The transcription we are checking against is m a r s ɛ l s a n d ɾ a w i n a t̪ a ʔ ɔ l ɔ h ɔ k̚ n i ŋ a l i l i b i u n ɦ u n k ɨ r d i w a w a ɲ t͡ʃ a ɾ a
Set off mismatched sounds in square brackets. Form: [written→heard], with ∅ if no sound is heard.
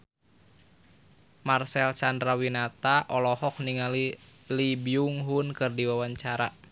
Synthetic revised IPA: m a r s ɛ l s a n d ɾ a w i n a t̪ a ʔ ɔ l ɔ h ɔ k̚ n i ŋ a l i l i b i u [n→ŋ] ɦ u n k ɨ r d i w a w a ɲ t͡ʃ a ɾ a